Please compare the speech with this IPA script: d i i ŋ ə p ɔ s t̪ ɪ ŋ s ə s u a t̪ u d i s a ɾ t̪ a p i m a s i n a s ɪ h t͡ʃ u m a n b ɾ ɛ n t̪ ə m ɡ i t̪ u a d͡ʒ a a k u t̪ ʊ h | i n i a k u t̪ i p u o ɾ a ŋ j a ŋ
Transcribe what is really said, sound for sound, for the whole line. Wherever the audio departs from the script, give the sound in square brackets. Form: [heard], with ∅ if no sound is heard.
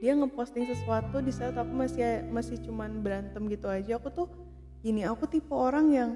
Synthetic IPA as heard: d i [a] ŋ ə p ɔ s t̪ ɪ ŋ s ə s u a t̪ u d i s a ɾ t̪ a p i m a s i [m] a s ɪ h t͡ʃ u m a n b ɾ [a] n t̪ ə m ɡ i t̪ u a d͡ʒ a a k u t̪ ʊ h | i n i a k u t̪ i p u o ɾ a ŋ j a ŋ